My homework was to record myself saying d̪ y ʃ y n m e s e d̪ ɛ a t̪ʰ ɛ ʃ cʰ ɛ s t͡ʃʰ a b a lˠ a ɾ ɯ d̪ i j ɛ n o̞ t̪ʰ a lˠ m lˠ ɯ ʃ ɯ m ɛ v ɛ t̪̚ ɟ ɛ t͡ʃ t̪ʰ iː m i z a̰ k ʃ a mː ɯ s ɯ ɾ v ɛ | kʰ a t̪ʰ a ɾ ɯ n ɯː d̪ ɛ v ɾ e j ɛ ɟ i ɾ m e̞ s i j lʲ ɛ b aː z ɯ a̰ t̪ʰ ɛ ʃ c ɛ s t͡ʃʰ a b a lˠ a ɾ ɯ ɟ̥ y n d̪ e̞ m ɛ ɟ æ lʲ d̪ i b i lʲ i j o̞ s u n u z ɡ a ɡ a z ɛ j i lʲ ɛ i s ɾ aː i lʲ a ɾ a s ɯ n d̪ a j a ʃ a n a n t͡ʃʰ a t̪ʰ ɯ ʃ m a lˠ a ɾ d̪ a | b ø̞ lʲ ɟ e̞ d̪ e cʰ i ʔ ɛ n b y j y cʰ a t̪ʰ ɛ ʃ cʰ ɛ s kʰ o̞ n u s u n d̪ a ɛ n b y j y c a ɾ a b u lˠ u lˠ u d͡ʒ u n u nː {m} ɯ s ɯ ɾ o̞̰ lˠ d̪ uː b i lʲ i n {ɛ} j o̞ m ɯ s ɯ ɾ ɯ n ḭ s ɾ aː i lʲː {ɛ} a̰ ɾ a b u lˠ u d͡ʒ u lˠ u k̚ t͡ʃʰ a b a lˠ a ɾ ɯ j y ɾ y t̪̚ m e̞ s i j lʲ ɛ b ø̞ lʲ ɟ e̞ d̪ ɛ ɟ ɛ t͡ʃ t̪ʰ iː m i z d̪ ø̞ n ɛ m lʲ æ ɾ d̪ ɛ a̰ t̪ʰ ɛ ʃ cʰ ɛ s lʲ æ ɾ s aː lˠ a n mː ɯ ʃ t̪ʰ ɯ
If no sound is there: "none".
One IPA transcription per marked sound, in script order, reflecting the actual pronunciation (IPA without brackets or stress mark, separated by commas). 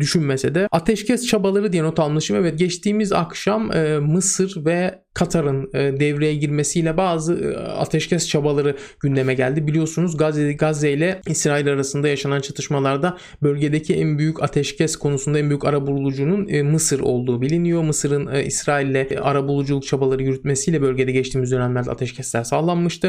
m, i, ɛ